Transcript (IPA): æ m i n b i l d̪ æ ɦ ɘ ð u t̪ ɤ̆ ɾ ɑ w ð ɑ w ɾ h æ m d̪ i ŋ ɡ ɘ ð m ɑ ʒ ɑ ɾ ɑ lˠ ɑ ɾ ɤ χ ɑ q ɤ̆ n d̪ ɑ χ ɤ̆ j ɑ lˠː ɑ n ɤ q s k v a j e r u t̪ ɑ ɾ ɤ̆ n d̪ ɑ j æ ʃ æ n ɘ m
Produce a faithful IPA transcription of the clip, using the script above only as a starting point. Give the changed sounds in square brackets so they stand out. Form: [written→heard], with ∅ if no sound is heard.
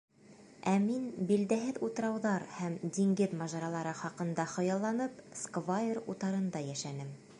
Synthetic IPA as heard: æ m i n b i l d̪ æ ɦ ɘ ð u t̪ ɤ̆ ɾ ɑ w ð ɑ [w→∅] ɾ h æ m d̪ i ŋ ɡ ɘ ð m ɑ ʒ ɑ ɾ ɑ lˠ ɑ ɾ ɤ χ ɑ q ɤ̆ n d̪ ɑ χ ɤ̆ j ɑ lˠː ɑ n ɤ [q→p] s k v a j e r u t̪ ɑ ɾ ɤ̆ n d̪ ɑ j æ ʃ æ n ɘ m